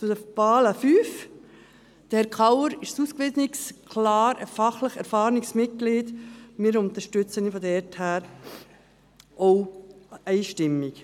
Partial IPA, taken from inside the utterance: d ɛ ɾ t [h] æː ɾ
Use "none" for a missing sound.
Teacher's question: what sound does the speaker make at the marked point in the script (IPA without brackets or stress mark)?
h